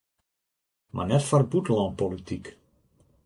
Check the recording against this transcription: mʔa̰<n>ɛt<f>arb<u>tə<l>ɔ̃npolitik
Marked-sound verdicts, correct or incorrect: correct, correct, correct, correct

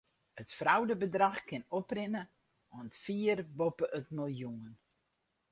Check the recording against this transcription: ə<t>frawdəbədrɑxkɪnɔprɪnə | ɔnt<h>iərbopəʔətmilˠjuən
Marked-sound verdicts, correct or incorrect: correct, incorrect: f

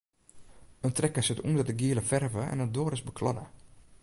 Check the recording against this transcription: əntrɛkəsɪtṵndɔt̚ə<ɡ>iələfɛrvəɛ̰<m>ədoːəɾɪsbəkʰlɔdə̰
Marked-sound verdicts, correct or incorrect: correct, incorrect: n

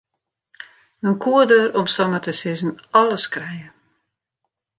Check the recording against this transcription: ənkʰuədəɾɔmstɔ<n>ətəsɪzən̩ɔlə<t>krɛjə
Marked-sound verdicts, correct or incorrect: incorrect: m, incorrect: s

